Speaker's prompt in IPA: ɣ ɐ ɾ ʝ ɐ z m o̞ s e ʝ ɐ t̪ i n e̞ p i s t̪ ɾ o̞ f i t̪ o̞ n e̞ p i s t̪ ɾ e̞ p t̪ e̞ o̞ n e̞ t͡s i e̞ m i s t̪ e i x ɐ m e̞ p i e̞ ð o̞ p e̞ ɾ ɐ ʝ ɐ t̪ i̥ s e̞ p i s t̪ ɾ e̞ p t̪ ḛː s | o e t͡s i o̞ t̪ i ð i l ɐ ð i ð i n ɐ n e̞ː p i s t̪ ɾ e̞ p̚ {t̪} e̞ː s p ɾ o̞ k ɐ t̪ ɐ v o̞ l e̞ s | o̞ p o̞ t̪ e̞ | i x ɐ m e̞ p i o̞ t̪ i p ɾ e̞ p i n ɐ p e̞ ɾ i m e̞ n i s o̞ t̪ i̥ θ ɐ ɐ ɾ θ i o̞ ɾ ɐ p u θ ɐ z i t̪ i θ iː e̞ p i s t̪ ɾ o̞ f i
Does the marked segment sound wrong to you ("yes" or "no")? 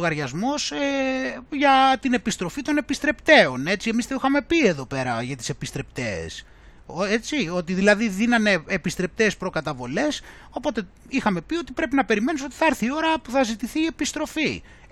no